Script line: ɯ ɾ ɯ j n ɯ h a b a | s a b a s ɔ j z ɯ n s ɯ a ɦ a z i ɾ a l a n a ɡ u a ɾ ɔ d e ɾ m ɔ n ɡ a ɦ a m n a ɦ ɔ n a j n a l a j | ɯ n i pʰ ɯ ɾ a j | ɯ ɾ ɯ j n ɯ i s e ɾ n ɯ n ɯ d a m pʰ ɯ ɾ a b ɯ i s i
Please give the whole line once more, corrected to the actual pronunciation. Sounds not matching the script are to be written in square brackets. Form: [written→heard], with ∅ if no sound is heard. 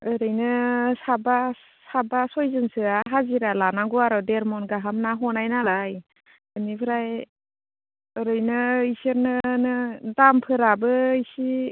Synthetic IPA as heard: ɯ ɾ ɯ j n ɯ [h→s] a b a | s a b a s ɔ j z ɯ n s ɯ a ɦ a z i ɾ a l a n a ɡ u a ɾ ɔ d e ɾ m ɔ n ɡ a ɦ a m n a ɦ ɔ n a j n a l a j | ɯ n i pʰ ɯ ɾ a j | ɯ ɾ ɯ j n ɯ i s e ɾ n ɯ n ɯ d a m pʰ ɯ ɾ a b ɯ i s i